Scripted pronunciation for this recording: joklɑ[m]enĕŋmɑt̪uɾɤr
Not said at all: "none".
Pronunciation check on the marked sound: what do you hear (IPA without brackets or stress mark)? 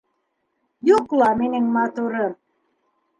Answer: m